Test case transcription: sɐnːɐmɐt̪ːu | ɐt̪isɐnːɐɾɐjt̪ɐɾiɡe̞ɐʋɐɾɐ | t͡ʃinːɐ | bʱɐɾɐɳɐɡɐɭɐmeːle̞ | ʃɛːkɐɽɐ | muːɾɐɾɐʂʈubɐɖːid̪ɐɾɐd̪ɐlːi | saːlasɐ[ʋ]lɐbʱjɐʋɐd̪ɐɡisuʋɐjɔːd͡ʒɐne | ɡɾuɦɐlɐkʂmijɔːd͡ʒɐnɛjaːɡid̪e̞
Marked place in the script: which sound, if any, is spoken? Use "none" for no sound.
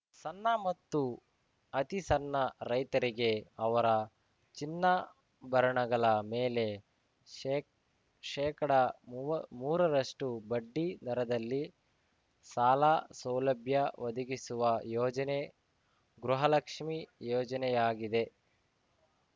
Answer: w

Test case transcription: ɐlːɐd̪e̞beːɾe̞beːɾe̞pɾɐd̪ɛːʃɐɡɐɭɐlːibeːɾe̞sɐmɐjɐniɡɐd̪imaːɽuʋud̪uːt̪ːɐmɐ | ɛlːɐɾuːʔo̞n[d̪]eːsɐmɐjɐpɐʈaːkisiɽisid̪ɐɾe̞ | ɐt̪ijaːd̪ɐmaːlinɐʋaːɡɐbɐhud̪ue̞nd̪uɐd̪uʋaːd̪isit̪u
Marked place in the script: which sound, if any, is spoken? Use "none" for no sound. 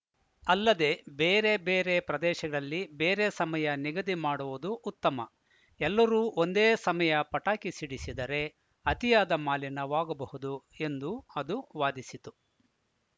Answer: d̪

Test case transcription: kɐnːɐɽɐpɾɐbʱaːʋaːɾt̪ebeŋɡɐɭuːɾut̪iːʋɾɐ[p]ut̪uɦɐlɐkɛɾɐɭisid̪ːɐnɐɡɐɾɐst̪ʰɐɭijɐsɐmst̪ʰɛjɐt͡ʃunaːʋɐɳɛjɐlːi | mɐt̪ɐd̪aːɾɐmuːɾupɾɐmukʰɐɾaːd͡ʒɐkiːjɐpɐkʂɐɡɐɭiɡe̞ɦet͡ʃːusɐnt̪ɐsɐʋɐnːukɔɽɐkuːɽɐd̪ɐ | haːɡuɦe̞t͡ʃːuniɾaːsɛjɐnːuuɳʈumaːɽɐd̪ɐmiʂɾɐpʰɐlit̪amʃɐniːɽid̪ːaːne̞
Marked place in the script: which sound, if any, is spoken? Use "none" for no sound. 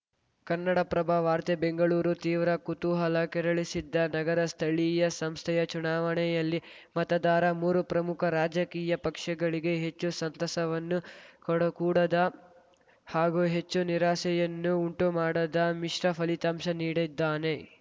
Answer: k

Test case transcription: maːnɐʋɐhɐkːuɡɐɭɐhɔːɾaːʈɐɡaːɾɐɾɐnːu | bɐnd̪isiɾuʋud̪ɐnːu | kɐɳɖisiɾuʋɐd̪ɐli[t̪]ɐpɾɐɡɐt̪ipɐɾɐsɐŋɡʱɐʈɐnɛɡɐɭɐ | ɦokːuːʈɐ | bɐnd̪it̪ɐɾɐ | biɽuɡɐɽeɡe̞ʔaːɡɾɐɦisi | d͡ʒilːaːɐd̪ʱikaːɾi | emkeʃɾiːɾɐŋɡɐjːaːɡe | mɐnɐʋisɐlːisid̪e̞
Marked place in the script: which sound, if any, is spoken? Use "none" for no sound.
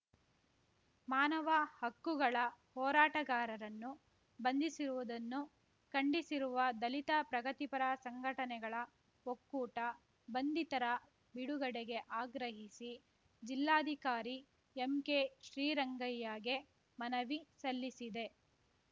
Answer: t̪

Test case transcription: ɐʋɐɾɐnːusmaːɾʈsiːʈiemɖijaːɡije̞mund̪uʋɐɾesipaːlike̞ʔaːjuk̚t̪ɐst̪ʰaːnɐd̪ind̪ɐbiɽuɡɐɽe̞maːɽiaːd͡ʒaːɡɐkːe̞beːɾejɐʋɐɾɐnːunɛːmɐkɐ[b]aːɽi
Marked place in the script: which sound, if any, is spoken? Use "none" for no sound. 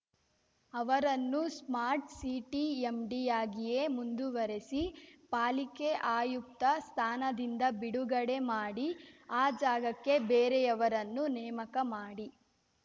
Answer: m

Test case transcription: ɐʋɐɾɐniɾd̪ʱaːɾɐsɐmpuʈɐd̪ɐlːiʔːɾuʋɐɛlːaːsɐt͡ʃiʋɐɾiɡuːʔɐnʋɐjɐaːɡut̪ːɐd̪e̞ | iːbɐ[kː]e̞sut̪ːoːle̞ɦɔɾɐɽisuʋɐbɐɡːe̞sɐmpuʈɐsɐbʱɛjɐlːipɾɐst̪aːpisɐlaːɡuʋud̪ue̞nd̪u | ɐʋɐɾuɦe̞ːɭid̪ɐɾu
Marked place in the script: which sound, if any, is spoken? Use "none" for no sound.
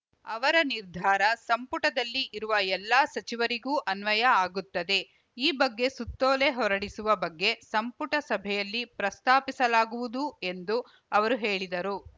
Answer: ɡː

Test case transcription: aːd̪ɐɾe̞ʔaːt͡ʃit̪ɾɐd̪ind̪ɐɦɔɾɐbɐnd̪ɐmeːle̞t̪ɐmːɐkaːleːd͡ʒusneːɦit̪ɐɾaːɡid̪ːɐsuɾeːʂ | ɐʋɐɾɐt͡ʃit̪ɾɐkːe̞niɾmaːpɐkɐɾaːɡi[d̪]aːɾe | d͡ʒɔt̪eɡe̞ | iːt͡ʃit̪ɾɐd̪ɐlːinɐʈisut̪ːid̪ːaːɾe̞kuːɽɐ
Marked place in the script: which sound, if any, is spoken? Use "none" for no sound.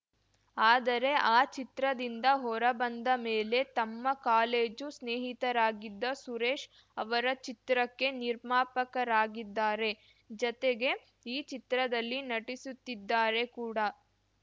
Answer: d̪ː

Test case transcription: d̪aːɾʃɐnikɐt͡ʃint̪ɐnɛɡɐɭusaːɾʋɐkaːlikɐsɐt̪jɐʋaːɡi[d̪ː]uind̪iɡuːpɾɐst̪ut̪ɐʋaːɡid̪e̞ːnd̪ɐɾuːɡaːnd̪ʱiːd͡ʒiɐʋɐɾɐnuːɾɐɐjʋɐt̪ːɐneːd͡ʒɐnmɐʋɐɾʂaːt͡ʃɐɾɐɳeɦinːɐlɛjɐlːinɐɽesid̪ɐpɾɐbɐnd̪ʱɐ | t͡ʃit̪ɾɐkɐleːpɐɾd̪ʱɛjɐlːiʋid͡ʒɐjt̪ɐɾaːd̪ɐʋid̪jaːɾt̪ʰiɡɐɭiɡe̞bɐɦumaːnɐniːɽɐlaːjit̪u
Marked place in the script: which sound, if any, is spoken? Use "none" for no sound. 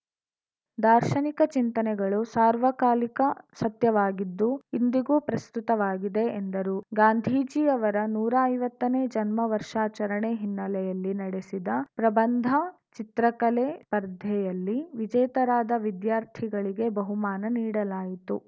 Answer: d̪ː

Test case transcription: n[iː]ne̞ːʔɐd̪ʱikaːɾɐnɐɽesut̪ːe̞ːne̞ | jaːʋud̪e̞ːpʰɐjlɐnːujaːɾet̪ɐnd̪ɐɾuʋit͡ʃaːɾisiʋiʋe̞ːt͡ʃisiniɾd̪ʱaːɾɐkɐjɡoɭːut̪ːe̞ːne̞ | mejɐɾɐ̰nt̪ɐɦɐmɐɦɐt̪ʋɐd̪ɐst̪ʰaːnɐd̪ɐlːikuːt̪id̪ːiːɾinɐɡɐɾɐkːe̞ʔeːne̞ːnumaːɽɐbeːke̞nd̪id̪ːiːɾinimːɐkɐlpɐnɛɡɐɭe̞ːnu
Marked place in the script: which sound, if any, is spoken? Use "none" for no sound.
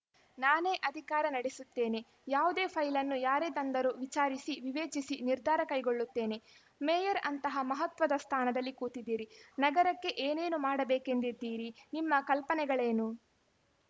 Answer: aː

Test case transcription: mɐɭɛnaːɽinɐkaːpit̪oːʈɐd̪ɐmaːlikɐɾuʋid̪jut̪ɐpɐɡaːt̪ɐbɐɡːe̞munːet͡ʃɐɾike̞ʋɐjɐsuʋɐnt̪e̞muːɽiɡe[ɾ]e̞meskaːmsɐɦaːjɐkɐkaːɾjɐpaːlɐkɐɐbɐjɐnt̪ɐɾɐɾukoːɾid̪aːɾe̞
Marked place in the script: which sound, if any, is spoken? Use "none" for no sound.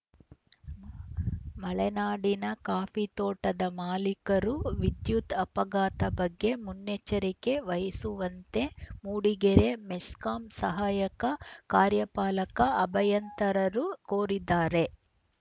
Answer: ɾ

